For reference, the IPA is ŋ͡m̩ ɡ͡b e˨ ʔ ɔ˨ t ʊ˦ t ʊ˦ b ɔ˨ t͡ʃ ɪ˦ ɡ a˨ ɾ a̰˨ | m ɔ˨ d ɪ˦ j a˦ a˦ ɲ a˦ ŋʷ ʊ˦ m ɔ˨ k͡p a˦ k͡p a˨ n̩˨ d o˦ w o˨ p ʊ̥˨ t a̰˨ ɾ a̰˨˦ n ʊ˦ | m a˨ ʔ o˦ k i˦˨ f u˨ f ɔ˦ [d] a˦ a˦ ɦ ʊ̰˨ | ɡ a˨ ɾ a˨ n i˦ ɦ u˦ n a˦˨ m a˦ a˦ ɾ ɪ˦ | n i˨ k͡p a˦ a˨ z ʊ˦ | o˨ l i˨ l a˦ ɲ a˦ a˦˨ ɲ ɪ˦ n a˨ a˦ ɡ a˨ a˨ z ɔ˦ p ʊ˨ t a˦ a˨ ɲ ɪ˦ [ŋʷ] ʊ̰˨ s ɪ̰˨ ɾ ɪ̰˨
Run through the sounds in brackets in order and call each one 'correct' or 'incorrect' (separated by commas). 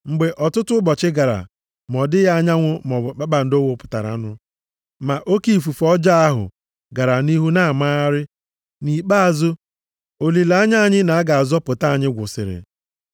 incorrect, incorrect